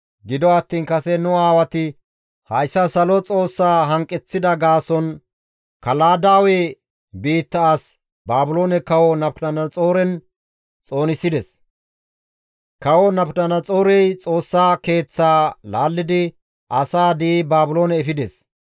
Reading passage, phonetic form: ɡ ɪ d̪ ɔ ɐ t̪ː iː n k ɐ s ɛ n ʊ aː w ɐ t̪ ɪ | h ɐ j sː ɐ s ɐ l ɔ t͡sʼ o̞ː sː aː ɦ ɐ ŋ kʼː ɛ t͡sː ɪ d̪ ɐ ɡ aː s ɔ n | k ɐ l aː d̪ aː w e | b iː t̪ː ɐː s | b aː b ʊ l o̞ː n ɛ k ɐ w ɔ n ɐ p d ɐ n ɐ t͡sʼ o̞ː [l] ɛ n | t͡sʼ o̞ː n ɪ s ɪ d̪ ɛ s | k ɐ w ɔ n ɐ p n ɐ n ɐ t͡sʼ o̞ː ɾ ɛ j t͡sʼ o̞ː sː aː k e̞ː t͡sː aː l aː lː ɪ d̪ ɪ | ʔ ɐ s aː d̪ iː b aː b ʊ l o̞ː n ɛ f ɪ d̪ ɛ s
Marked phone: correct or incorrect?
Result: incorrect